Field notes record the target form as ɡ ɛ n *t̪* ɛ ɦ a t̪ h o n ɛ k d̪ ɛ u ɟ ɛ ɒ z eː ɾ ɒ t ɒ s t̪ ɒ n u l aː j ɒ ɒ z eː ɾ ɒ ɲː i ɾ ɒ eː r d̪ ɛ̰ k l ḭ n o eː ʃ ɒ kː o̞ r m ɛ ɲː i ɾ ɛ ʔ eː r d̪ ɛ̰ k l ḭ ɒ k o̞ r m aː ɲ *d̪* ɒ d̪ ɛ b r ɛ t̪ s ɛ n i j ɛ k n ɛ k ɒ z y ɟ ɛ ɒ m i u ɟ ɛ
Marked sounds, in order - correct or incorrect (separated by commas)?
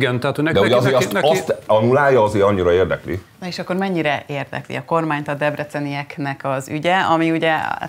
correct, incorrect